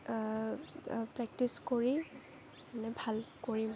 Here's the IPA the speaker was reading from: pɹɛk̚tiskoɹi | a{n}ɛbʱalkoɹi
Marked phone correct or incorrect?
correct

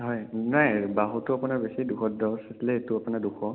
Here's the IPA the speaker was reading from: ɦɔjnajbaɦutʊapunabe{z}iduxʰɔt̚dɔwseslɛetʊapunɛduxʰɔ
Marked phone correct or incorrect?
incorrect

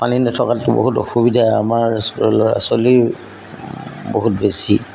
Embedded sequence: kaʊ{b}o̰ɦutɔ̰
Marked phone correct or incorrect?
correct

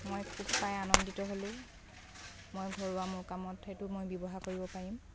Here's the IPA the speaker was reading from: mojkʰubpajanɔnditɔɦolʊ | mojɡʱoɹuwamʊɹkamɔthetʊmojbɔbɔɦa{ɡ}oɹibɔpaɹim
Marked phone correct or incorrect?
incorrect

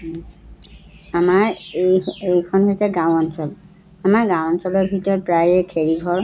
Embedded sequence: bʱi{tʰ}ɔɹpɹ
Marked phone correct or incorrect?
incorrect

